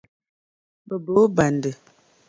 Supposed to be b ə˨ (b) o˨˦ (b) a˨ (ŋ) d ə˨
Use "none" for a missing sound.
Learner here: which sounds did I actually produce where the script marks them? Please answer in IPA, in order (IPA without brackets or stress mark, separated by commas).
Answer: b, b, n